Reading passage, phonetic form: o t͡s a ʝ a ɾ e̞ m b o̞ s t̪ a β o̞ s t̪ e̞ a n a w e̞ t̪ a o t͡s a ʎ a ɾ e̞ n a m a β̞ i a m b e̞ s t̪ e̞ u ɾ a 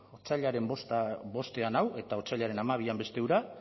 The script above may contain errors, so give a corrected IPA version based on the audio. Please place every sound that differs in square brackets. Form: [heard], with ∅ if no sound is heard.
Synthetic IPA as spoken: o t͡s a [ʎ] a ɾ e̞ m b o̞ s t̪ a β o̞ s t̪ e̞ a n a w e̞ t̪ a o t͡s a ʎ a ɾ e̞ n a m a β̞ i a m b e̞ s t̪ e̞ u ɾ a